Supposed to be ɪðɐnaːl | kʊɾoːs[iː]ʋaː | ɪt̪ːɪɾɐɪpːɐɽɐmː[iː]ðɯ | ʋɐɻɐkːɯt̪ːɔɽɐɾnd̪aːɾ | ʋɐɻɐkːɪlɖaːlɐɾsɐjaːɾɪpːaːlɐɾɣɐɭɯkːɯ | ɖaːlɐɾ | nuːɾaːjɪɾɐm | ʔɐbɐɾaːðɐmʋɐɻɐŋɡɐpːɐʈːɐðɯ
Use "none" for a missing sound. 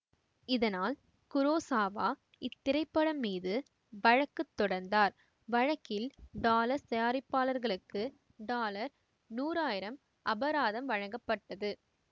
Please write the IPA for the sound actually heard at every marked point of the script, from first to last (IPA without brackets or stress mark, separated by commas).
aː, iː